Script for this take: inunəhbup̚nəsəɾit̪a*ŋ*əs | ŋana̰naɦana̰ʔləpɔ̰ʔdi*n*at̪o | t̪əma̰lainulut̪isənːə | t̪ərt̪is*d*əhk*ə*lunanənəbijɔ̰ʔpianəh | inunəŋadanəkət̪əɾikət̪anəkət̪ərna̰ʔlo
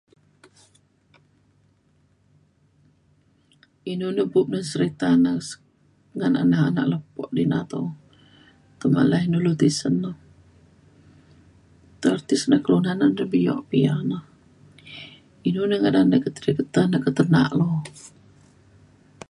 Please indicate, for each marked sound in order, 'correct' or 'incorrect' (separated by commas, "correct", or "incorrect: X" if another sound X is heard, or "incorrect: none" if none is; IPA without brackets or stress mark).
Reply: incorrect: n, correct, incorrect: n, correct